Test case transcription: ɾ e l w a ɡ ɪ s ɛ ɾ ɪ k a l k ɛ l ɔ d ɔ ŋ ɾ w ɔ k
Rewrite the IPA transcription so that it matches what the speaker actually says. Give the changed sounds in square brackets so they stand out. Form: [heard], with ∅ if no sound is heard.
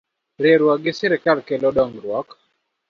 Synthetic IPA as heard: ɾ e [ɾ] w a ɡ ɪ s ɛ ɾ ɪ k a l k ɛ l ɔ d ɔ ŋ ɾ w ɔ k